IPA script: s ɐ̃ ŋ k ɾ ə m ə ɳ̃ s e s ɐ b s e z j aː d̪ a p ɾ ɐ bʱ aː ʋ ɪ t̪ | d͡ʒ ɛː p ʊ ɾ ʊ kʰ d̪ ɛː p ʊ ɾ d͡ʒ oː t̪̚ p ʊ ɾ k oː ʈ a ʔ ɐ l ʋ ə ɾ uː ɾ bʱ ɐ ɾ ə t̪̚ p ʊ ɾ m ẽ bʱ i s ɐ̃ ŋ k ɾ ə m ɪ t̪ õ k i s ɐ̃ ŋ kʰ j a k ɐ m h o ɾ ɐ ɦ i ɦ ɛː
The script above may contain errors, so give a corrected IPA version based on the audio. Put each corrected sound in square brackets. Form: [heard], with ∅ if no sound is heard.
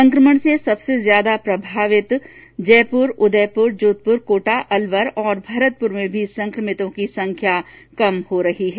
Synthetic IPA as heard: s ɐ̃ ŋ k ɾ ə m ə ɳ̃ s e s ɐ b s e z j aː d̪ a p ɾ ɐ bʱ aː ʋ ɪ t̪ | d͡ʒ ɛː p ʊ ɾ ʊ [∅] d̪ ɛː p ʊ ɾ d͡ʒ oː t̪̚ p ʊ ɾ k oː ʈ a ʔ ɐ l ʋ ə ɾ [ɔː] ɾ bʱ ɐ ɾ ə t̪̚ p ʊ ɾ m ẽ bʱ i s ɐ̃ ŋ k ɾ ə m ɪ t̪ õ k i s ɐ̃ ŋ kʰ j a k ɐ m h o ɾ ɐ ɦ i ɦ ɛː